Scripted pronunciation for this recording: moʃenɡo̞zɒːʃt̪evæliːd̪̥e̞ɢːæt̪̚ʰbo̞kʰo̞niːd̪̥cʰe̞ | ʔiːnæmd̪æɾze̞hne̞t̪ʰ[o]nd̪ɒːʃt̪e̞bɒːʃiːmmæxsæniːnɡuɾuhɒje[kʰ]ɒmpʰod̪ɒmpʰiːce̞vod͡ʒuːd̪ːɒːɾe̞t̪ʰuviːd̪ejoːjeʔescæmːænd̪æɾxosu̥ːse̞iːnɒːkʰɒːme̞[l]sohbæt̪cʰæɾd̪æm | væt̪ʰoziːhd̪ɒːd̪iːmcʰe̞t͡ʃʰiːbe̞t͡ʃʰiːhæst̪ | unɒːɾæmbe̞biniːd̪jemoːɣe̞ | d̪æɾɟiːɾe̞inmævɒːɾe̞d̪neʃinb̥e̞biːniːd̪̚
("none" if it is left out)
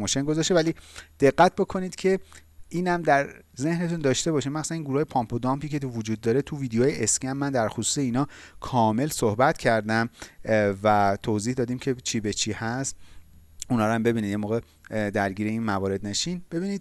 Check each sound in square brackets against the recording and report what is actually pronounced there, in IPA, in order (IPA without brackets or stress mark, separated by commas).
u, pʰ, l